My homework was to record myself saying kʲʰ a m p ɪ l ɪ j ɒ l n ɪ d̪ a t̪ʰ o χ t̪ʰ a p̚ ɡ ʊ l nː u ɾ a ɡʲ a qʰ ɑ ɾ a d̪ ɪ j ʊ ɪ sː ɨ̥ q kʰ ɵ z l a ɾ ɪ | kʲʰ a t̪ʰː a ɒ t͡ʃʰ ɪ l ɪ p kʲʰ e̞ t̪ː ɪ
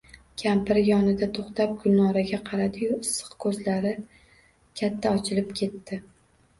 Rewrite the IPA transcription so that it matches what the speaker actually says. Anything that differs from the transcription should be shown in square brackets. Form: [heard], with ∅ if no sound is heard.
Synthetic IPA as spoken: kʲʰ a m p ɪ [ɾ] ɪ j ɒ [∅] n ɪ d̪ a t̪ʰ o χ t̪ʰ a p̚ ɡ ʊ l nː [ɒ] ɾ a ɡʲ a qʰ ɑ ɾ a d̪ ɪ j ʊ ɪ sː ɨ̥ q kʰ ɵ z l a ɾ ɪ | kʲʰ a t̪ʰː a ɒ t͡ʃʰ ɪ l ɪ p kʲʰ e̞ t̪ː ɪ